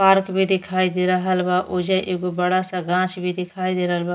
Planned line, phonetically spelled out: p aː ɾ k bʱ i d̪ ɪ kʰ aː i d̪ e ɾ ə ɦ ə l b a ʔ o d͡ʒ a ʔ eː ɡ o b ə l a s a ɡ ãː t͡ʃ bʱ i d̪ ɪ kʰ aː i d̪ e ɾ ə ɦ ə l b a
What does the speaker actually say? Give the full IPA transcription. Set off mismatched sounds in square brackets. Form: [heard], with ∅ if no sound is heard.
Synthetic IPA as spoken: p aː ɾ k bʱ i d̪ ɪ kʰ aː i d̪ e ɾ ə ɦ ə l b a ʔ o d͡ʒ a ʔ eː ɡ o b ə [ɽ] a s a ɡ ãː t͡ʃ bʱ i d̪ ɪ kʰ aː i d̪ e ɾ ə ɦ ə l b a